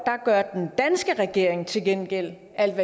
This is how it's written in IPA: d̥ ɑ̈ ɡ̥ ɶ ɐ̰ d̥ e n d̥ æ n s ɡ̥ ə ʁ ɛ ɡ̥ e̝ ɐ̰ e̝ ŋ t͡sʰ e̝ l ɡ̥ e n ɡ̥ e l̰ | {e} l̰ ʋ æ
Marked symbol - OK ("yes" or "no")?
no